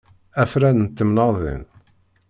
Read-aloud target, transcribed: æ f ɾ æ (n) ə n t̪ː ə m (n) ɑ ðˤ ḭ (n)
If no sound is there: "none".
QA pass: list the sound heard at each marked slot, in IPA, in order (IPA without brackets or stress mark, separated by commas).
n, n, n